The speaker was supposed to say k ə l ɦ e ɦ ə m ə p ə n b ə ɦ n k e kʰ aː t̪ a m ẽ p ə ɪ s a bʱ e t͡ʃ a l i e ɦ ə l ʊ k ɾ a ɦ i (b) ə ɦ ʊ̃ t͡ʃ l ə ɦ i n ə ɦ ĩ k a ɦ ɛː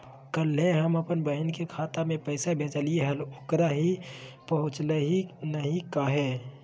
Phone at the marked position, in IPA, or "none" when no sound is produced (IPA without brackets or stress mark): p